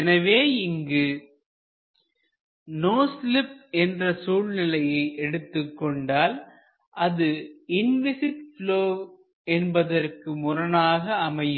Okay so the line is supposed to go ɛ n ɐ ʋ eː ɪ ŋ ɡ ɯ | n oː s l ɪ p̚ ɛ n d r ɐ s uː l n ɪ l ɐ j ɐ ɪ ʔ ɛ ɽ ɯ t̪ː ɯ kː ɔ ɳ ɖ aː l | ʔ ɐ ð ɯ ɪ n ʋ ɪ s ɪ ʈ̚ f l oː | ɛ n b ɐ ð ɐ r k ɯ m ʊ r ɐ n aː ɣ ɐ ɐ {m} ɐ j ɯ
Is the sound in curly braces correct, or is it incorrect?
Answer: correct